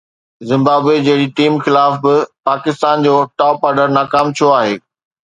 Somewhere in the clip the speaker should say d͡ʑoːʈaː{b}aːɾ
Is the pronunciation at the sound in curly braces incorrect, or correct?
incorrect